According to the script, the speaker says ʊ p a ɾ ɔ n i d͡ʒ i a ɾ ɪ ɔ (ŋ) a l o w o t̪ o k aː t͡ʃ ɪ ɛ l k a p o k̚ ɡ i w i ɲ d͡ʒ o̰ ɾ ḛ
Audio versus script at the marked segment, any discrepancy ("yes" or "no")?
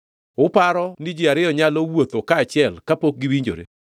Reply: yes